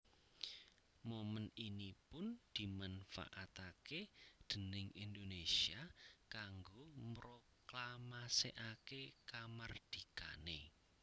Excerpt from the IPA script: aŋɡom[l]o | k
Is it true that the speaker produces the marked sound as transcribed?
no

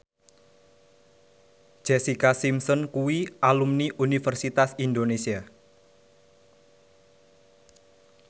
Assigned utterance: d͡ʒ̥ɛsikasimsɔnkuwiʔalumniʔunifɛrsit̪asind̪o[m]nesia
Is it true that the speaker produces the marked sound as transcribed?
no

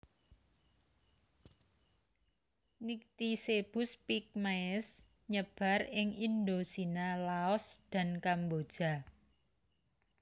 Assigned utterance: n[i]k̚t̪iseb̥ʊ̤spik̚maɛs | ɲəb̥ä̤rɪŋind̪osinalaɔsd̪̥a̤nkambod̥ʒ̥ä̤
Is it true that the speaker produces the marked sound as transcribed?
yes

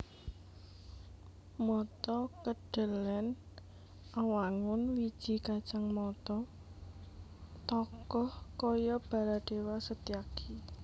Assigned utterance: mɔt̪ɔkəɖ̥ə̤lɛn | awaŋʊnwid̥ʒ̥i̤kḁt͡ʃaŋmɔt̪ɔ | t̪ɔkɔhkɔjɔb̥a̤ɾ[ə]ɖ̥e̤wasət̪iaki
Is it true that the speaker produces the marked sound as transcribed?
no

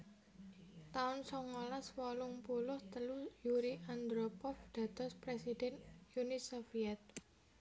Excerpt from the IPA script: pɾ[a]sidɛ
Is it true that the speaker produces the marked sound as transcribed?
no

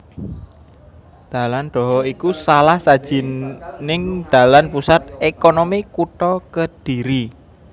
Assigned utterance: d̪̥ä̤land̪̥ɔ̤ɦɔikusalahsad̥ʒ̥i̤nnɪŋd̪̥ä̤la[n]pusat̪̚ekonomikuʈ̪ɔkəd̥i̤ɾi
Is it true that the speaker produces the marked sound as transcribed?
yes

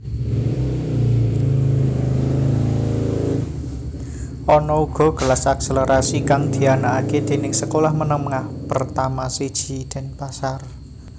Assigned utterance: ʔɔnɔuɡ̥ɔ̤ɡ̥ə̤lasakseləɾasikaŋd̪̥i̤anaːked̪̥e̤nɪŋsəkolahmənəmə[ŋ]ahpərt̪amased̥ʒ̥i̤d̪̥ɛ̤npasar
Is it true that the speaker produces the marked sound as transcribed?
yes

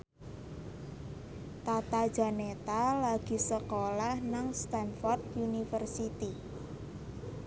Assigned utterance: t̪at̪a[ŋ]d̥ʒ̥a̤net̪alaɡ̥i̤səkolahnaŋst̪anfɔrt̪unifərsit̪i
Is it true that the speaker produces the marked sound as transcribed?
no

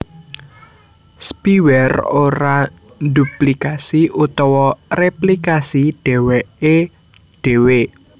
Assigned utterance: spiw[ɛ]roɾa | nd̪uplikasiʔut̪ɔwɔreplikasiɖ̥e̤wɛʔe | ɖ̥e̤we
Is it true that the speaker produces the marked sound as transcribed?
yes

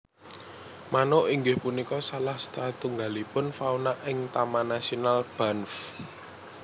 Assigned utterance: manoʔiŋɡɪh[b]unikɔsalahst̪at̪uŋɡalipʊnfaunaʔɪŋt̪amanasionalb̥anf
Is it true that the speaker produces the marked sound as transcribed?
no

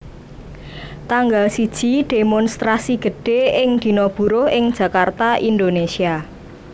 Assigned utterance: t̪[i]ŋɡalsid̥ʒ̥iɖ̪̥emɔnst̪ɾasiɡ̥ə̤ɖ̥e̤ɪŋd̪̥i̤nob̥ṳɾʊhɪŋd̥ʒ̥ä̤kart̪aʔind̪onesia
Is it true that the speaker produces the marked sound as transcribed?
no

